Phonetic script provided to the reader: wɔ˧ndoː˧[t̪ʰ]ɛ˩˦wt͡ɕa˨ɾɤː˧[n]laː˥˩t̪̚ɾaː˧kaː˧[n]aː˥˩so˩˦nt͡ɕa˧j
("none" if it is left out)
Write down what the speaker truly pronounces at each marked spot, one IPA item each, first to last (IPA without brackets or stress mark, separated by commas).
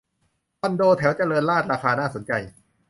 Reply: t̪ʰ, n, n